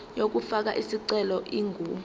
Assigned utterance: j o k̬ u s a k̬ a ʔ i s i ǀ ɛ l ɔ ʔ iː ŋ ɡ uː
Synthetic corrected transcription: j o k̬ u f a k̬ a ʔ i s i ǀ ɛ l ɔ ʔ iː ŋ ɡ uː